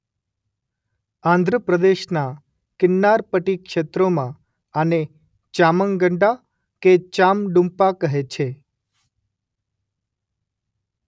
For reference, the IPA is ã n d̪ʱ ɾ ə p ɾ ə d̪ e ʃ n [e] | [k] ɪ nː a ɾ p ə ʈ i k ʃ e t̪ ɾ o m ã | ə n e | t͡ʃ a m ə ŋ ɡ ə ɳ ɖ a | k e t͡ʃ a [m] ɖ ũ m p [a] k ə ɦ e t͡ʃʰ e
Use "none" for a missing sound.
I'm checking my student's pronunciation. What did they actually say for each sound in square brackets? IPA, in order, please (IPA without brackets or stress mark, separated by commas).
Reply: a, k, m, a